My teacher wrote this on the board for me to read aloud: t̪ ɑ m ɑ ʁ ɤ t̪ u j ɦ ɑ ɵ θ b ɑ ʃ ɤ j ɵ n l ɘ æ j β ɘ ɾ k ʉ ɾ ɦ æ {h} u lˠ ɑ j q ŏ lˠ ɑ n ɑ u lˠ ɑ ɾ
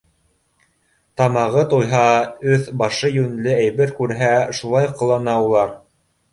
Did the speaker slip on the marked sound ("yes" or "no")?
yes